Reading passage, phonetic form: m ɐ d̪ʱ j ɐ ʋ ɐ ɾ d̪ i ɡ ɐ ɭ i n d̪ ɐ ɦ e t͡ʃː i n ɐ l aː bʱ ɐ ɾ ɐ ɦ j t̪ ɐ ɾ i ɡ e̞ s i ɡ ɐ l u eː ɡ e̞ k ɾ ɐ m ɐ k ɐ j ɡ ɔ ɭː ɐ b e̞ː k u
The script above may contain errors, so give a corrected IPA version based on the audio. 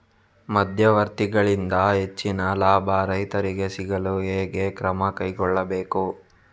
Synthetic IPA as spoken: m ɐ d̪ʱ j ɐ ʋ ɐ ɾ t̪ i ɡ ɐ ɭ i n d̪ ɐ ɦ e t͡ʃː i n ɐ l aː bʱ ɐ ɾ ɐ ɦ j t̪ ɐ ɾ i ɡ e̞ s i ɡ ɐ l u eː ɡ e̞ k ɾ ɐ m ɐ k ɐ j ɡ ɔ ɭː ɐ b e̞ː k u